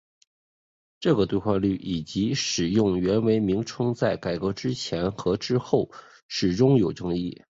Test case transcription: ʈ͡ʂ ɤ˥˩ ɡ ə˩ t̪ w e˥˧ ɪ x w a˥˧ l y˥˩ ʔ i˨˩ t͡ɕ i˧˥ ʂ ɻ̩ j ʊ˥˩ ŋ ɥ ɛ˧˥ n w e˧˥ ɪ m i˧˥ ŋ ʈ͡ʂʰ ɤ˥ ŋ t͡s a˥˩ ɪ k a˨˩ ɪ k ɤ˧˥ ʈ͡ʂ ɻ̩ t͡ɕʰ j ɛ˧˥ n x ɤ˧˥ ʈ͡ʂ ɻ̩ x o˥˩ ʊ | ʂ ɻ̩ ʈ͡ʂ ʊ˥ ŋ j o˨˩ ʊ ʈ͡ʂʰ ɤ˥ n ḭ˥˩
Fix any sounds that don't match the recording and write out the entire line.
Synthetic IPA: ʈ͡ʂ ɤ˥˩ ɡ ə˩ t̪ w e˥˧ ɪ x w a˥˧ l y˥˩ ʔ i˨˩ t͡ɕ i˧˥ ʂ ɻ̩ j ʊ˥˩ ŋ ɥ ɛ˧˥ n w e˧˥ ɪ m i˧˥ ŋ ʈ͡ʂʰ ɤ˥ ŋ t͡s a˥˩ ɪ k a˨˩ ɪ k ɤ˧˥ ʈ͡ʂ ɻ̩ t͡ɕʰ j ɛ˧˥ n x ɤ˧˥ ʈ͡ʂ ɻ̩ x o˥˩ ʊ | ʂ ɻ̩ ʈ͡ʂ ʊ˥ ŋ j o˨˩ ʊ ʈ͡ʂ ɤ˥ ŋ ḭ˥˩